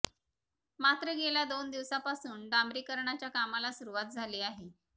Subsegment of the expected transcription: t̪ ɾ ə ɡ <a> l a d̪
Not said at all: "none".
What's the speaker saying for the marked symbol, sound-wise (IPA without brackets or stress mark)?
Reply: e